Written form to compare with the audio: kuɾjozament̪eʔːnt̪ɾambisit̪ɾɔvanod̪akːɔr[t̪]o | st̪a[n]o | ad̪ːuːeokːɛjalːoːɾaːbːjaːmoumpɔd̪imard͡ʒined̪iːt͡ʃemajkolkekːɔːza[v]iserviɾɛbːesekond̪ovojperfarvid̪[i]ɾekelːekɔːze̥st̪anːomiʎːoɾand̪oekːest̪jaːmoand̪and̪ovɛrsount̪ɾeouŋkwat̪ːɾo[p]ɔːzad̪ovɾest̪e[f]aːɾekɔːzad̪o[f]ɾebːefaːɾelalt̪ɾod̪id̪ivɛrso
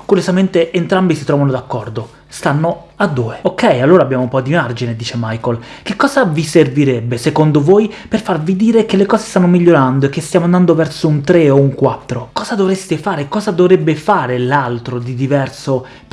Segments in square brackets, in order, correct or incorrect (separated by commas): incorrect, incorrect, correct, incorrect, incorrect, correct, incorrect